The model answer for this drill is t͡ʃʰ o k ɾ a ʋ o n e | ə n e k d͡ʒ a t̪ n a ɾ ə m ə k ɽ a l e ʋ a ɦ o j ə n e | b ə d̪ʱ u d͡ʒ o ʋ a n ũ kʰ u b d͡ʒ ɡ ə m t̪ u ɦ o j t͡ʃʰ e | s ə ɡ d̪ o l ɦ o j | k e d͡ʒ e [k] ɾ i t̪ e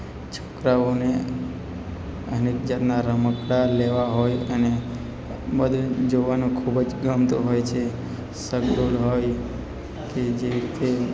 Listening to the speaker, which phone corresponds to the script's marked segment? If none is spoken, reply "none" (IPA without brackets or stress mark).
none